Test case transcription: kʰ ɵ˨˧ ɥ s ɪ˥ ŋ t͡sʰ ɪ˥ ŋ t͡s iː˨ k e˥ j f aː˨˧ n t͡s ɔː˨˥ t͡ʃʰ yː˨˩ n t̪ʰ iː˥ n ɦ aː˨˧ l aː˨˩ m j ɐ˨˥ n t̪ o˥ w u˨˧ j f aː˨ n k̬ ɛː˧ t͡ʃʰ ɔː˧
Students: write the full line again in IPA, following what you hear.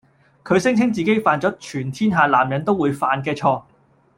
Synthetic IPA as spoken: kʰ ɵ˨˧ ɥ s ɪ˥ ŋ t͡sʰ ɪ˥ ŋ t͡s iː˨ k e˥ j f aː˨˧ n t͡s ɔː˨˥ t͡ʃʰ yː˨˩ n t̪ʰ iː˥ n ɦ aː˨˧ l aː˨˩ m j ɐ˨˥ n t̪ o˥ w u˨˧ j f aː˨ n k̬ ɛː˧ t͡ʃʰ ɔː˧